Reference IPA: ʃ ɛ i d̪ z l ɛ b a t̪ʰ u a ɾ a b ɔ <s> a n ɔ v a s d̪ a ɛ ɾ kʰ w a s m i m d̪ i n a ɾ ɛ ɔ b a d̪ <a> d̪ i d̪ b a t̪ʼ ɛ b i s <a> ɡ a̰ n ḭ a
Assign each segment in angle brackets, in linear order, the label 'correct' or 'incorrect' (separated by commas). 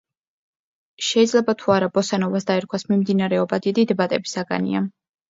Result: correct, incorrect, correct